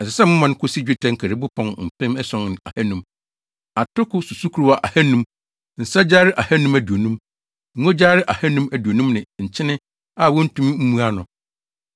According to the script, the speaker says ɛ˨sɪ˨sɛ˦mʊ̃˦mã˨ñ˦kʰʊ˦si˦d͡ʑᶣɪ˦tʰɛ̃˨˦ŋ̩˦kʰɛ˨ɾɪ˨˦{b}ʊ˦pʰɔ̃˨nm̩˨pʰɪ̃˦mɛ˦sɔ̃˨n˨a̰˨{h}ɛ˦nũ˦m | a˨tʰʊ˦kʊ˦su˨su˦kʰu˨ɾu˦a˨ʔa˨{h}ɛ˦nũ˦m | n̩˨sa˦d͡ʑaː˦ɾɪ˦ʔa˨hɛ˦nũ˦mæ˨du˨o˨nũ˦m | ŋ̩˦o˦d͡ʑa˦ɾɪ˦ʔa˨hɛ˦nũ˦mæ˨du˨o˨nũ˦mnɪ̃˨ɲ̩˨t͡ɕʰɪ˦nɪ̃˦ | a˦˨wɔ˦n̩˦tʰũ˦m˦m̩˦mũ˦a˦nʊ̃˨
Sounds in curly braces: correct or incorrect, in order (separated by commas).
correct, correct, correct